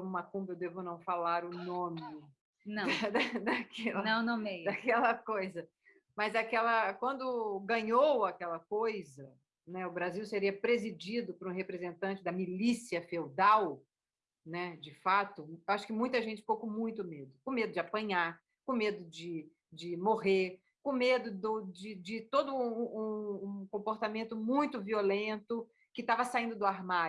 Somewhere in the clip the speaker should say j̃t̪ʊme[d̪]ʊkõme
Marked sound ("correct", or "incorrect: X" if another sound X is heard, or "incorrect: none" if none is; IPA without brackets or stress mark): correct